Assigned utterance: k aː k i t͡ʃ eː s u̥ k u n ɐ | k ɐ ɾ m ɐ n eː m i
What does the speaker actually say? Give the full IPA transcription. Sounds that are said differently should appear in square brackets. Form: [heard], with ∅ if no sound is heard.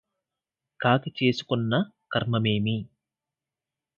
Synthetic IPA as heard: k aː k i t͡ʃ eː s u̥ k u [nː] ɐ | k ɐ ɾ m ɐ [m] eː m i